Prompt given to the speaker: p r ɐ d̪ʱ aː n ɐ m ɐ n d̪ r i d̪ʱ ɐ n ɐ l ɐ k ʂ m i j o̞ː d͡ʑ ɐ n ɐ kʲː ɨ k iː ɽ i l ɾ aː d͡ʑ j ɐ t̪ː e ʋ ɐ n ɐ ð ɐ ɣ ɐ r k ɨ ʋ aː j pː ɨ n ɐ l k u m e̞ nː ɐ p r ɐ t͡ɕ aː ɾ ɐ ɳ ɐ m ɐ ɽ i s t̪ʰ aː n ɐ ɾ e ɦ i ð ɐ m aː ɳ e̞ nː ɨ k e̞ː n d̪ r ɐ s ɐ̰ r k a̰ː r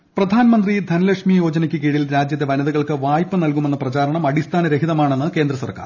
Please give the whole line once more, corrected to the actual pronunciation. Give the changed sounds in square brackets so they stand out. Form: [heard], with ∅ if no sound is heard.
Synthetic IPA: p r ɐ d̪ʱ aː n ɐ m ɐ n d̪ r i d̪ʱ ɐ n ɐ l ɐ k ʂ m i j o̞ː d͡ʑ ɐ n ɐ kʲː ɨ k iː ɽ i l ɾ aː d͡ʑ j ɐ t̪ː e ʋ ɐ n ɐ ð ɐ ɣ ɐ [ɭ] k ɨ ʋ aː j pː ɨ n ɐ l k u m e̞ nː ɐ p r ɐ t͡ɕ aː ɾ ɐ ɳ ɐ m ɐ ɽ i s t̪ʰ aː n ɐ ɾ e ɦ i ð ɐ m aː ɳ e̞ nː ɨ k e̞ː n d̪ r ɐ s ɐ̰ r k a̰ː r